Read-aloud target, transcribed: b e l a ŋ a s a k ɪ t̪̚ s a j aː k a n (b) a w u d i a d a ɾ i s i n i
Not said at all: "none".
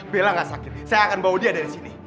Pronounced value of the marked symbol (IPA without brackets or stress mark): b